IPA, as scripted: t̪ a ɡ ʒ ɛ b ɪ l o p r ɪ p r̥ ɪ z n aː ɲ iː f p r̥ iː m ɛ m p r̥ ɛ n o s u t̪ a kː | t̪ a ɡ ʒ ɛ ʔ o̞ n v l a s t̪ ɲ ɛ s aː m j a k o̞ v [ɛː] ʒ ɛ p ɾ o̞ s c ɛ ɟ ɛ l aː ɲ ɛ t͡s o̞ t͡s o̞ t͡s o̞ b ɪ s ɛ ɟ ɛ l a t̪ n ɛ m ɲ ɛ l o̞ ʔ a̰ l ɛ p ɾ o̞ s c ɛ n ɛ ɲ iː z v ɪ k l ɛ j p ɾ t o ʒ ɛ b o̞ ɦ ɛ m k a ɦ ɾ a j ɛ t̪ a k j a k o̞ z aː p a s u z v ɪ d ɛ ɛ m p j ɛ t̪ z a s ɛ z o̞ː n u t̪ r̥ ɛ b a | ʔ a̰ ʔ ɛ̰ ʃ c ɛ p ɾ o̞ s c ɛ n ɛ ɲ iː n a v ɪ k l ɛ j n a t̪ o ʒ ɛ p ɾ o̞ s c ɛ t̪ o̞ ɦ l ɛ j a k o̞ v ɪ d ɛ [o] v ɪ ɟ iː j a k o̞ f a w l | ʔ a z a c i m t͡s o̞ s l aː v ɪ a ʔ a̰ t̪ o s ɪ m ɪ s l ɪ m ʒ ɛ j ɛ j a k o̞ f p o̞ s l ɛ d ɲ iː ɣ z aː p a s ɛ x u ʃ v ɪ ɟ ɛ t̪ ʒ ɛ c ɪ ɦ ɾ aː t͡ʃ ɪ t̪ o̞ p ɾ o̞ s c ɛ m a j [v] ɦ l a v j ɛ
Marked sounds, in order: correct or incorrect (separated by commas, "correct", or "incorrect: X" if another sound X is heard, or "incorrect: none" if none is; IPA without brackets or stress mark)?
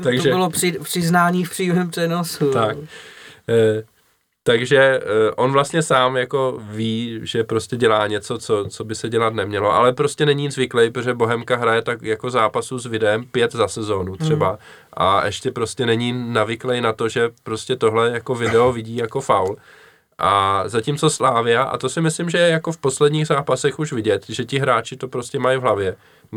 incorrect: iː, correct, correct